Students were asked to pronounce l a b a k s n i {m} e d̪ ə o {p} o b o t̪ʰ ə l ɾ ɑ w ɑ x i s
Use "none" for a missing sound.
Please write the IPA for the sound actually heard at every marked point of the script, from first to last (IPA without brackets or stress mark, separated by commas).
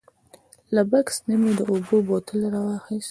m, b